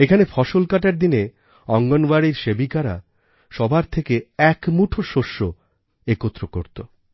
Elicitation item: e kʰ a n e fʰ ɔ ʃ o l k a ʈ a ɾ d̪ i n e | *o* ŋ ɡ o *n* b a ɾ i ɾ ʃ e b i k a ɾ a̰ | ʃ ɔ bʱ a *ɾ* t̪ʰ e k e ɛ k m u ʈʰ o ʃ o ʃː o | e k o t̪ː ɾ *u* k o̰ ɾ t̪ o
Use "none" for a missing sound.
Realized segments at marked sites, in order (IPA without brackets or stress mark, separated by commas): ɔ, n, ɾ, o